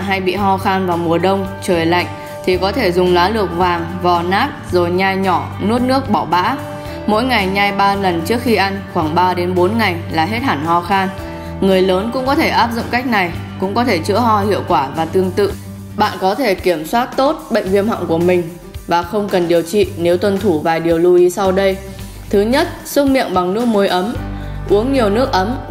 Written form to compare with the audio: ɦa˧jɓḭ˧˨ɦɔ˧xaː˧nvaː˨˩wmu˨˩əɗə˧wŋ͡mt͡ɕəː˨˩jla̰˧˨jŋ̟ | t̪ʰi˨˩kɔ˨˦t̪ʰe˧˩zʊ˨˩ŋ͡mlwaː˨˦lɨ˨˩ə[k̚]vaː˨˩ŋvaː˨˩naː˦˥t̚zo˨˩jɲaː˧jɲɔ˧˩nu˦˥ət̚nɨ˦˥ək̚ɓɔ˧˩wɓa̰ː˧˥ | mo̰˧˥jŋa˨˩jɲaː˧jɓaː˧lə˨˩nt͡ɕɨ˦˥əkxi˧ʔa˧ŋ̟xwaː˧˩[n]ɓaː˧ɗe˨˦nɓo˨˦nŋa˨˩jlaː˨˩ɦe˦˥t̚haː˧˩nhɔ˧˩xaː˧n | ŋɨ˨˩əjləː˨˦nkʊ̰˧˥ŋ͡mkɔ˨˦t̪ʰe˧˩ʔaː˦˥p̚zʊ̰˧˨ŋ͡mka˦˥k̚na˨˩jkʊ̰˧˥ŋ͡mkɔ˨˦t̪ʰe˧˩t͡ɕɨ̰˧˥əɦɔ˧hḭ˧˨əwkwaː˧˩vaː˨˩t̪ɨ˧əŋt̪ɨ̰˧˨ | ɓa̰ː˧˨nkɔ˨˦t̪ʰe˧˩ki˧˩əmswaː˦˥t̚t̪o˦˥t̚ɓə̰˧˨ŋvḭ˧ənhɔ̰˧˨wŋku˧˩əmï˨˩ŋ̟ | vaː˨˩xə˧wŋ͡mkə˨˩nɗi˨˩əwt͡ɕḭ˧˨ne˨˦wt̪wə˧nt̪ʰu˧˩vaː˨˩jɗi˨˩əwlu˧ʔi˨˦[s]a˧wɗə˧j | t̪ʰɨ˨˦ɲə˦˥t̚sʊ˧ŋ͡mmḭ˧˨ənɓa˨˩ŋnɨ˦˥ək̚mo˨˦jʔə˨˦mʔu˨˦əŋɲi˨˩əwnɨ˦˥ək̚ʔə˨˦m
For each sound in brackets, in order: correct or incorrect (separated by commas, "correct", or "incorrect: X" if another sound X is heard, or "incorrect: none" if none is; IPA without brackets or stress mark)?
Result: correct, incorrect: ŋ, correct